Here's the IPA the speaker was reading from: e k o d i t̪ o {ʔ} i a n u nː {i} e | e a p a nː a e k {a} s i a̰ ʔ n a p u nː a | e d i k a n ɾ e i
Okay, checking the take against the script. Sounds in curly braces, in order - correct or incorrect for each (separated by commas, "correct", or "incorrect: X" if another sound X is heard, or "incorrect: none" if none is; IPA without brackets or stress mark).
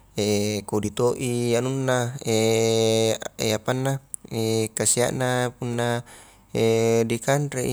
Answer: correct, incorrect: a, correct